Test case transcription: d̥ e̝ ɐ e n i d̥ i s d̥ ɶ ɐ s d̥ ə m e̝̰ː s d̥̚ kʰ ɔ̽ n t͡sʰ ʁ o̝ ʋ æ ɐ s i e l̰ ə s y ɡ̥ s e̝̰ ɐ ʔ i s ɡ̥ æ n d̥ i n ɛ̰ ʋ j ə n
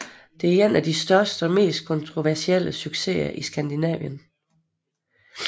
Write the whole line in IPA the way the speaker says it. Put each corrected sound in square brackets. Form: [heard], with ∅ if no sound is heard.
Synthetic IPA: d̥ e̝ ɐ e n [æ] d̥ i s d̥ ɶ ɐ s d̥ ə m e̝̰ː s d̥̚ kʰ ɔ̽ n t͡sʰ ʁ o̝ ʋ æ ɐ s i e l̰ ə s y ɡ̥ s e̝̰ ɐ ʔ i s ɡ̥ æ n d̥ i n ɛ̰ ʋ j ə n